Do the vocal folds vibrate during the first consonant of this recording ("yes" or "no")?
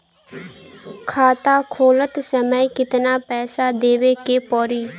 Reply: no